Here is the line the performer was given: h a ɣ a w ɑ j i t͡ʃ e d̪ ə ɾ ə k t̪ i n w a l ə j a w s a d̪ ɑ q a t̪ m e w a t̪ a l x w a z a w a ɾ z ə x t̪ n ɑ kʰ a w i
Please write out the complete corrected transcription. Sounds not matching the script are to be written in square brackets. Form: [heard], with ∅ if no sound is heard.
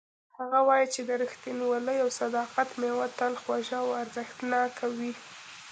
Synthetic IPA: h a ɣ a w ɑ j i t͡ʃ e d̪ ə ɾ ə [x] t̪ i n w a l ə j a w s a d̪ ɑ q a t̪ m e w a t̪ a l x w a [ʒ] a w a ɾ z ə x t̪ n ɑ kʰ a w i